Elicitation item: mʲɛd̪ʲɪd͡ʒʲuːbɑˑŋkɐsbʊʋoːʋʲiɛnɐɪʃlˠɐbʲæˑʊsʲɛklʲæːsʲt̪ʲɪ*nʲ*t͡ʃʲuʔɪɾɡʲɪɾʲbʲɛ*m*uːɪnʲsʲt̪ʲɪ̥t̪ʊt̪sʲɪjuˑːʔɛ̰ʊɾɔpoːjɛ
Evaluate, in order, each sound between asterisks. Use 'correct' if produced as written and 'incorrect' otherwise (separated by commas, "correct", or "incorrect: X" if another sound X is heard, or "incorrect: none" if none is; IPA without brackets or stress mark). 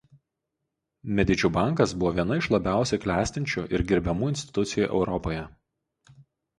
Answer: correct, correct